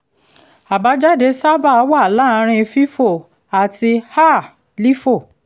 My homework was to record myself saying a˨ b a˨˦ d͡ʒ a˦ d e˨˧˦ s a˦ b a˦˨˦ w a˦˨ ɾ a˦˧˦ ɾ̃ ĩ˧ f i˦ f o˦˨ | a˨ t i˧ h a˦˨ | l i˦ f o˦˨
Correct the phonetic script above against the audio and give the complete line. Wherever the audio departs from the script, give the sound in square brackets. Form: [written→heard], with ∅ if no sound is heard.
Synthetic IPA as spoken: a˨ b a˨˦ d͡ʒ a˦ d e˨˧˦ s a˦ b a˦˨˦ w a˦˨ [ɾ→l] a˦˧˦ ɾ̃ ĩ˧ f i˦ f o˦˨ | a˨ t i˧ h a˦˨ | l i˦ f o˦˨